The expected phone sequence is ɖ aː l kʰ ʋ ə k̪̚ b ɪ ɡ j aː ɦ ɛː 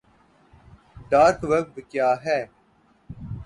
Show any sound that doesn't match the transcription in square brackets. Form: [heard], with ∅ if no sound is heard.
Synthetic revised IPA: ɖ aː [ɾ] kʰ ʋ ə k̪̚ b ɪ [k] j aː ɦ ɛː